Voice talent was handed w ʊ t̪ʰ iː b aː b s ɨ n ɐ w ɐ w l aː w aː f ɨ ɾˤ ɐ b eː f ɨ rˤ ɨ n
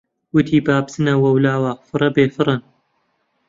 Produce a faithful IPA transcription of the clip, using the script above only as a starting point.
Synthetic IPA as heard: w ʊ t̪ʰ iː b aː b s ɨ n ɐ w ɐ w l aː w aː f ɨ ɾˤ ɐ b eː f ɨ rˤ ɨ n